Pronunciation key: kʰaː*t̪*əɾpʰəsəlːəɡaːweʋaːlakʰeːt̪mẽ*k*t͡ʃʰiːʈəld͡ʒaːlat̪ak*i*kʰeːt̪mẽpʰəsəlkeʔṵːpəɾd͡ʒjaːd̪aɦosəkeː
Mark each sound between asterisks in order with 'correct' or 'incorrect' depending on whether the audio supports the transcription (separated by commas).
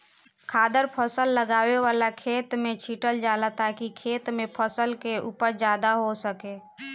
incorrect, incorrect, correct